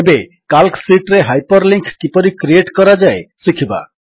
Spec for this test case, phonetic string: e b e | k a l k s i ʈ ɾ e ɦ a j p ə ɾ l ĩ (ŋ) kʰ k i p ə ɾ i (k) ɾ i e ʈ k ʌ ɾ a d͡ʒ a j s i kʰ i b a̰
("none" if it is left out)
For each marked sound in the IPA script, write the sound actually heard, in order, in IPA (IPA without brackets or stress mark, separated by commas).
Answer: ŋ, k